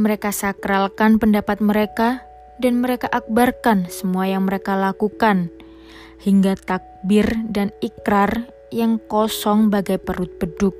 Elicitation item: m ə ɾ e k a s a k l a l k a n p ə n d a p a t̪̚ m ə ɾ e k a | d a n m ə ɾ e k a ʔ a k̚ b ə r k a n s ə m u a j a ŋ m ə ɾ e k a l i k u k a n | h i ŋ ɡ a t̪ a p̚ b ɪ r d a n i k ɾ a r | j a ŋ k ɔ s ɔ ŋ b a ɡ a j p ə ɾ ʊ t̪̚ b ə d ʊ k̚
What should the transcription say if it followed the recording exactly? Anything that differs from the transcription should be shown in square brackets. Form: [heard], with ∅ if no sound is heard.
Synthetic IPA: m ə ɾ e k a s a k [ɾ] a l k a n p ə n d a p a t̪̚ m ə ɾ e k a | d a n m ə ɾ e k a ʔ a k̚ b [a] r k a n s ə m u a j a ŋ m ə ɾ e k a l [a] k u k a n | h i ŋ ɡ a t̪ a [k̚] b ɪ r d a n i k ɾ a r | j a ŋ k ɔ s ɔ ŋ b a ɡ a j p ə ɾ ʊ t̪̚ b ə d ʊ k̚